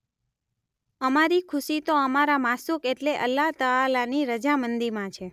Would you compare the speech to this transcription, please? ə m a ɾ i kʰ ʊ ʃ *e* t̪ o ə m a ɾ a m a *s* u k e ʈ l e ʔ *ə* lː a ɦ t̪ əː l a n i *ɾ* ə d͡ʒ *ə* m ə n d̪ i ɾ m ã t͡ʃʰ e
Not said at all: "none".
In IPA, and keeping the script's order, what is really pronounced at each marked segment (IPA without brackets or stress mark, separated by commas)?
i, s, ə, ɾ, a